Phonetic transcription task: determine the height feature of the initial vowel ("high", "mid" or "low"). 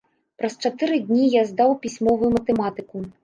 low